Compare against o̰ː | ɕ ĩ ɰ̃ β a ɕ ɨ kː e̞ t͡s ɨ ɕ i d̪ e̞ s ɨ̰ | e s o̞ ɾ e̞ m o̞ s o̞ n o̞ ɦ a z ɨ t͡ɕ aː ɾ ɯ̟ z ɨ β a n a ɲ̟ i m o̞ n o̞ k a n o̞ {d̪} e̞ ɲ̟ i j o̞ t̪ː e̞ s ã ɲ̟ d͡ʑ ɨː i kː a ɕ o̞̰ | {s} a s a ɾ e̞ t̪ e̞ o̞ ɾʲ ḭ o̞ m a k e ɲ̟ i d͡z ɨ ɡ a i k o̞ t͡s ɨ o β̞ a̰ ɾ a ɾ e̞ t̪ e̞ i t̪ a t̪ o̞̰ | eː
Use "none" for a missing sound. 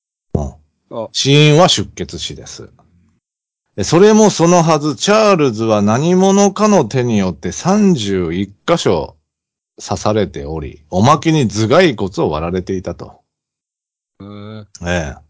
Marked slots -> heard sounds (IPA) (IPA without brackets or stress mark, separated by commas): t̪, s